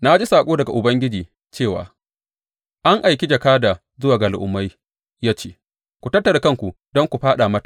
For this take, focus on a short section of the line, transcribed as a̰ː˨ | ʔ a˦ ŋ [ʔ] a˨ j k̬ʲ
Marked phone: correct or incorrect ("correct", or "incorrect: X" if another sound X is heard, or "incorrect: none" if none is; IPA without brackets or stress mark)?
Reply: correct